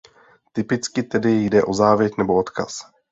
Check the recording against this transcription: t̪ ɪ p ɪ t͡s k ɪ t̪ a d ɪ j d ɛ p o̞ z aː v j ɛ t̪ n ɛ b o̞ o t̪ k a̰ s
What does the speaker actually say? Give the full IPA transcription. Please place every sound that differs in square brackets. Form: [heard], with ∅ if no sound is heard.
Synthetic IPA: t̪ ɪ p ɪ t͡s k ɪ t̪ [ɛ] d ɪ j d ɛ [ʔ] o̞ z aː v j ɛ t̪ n ɛ b o̞ o t̪ k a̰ s